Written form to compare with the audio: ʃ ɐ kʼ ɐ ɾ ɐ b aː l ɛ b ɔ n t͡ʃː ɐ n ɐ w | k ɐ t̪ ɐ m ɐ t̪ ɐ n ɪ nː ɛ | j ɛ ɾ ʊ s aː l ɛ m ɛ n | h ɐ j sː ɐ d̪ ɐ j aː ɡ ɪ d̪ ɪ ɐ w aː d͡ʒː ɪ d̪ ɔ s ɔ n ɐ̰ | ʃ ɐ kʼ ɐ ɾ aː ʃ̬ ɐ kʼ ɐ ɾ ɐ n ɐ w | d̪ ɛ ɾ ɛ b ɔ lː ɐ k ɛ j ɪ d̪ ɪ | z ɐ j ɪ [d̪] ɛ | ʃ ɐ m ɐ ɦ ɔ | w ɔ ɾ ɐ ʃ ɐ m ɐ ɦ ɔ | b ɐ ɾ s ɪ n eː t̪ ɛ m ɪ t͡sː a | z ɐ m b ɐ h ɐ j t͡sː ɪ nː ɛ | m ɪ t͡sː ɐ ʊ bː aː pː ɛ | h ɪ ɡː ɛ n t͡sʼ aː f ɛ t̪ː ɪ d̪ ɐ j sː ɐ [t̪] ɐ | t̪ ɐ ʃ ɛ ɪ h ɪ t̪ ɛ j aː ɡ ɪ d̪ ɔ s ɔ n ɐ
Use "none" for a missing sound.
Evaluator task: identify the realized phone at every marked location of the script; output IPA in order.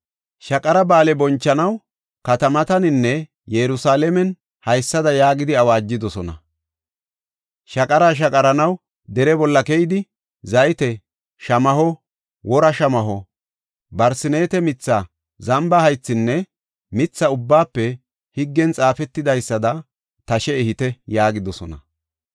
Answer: t̪, d̪

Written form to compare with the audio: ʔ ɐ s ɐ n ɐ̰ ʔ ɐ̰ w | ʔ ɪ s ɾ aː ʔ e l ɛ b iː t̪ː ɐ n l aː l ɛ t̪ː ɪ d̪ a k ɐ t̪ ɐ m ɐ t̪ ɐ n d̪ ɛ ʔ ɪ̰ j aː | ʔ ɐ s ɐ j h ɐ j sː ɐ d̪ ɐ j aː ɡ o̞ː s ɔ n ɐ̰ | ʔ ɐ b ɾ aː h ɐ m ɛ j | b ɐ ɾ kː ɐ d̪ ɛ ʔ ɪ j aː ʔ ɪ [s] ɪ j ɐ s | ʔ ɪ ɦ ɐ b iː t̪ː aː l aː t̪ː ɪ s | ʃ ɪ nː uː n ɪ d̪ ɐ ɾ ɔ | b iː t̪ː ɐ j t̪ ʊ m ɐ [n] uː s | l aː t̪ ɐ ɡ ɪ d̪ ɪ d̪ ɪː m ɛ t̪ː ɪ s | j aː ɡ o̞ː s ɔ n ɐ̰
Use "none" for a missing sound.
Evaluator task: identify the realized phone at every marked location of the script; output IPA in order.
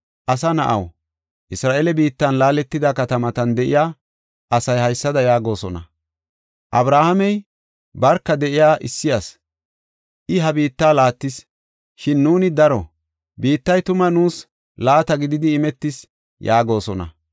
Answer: sː, n

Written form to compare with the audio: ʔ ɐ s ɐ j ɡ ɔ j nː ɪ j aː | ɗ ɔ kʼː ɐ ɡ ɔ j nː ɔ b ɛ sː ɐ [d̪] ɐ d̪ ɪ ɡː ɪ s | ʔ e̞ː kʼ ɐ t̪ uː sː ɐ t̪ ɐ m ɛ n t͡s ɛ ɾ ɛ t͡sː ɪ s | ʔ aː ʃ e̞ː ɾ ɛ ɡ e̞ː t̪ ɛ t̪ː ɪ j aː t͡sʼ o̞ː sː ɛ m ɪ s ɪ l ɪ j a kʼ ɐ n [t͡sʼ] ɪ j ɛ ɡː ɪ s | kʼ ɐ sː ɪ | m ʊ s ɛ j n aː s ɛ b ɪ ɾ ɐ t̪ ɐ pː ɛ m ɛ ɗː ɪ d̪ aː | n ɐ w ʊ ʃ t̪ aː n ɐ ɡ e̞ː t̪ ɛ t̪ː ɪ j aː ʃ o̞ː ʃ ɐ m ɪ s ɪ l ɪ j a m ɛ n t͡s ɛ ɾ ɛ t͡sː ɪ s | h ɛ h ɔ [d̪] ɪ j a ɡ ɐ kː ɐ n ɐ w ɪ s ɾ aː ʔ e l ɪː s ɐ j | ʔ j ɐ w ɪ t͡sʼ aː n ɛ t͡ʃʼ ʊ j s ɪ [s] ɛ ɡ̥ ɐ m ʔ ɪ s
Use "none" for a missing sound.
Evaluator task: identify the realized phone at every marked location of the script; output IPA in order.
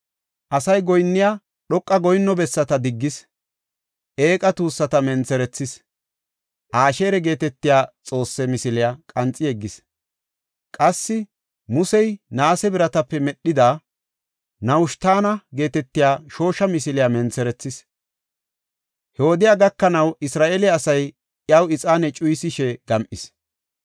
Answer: t̪, t͡sʼ, d̪, ʃ

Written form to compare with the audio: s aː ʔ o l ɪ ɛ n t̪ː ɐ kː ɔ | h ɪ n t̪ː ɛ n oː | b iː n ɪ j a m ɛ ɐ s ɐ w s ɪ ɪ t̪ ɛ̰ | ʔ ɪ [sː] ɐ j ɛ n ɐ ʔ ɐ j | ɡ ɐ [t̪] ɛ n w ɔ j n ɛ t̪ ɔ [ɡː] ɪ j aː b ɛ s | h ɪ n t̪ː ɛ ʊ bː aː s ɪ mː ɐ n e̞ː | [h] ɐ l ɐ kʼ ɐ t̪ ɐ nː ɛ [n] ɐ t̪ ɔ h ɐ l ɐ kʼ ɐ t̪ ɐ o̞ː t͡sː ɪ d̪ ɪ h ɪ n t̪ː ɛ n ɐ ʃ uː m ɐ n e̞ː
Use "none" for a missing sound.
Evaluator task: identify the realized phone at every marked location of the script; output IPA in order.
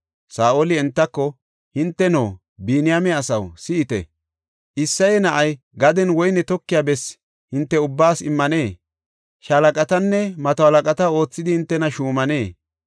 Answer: sː, d̪, kː, ʃ, m

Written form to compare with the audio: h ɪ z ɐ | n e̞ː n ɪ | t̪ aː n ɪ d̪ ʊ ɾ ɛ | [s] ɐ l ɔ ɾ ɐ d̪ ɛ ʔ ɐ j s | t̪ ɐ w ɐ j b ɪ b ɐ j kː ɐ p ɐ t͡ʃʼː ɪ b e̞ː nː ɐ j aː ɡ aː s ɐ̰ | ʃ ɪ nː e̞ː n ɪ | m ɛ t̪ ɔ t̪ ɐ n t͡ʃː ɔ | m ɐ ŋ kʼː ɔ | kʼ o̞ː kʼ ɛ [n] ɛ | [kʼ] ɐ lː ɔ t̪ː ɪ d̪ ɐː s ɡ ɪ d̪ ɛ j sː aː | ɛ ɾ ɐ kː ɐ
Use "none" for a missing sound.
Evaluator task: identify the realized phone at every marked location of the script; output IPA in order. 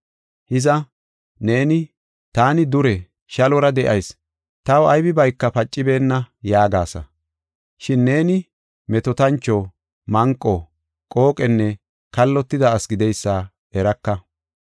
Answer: ʃ, nː, k

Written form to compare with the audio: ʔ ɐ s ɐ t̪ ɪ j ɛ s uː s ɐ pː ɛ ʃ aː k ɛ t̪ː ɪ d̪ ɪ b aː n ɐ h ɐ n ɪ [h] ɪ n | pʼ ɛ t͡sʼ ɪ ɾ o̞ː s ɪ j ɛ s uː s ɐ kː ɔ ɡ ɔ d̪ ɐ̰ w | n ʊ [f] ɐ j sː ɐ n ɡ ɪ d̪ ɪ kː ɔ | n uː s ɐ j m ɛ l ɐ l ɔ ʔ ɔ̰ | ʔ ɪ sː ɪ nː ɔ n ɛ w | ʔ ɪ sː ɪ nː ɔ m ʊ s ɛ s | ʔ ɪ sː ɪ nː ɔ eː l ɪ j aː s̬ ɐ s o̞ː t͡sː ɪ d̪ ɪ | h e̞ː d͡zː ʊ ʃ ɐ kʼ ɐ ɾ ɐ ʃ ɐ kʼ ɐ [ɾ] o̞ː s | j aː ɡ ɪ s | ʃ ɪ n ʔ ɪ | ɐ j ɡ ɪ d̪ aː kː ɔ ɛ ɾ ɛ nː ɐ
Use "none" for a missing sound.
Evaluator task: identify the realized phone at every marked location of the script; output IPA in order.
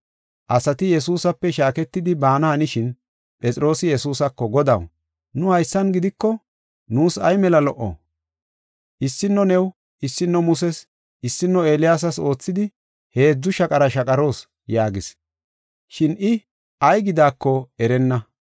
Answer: ʃ, h, ɾ

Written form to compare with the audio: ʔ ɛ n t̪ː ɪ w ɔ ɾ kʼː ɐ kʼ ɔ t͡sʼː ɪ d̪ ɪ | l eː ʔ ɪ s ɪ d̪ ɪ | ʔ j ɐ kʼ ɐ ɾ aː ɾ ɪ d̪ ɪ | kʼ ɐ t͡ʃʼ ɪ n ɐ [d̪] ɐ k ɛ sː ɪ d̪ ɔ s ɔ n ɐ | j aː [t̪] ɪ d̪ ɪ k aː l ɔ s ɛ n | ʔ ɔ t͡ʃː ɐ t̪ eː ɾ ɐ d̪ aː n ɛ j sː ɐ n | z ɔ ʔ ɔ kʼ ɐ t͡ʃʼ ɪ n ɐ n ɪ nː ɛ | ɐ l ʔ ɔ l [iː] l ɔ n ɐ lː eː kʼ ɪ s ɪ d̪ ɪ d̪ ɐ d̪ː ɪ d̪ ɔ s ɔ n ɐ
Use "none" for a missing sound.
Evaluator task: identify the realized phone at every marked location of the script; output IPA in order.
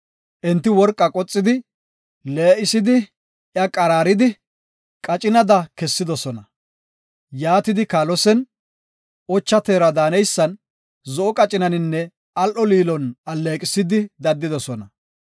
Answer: d̪, t̪, iː

